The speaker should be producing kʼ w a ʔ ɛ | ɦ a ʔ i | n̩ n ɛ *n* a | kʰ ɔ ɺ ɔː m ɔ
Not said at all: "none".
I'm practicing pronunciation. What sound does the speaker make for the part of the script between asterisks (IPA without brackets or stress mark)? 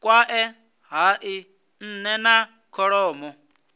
n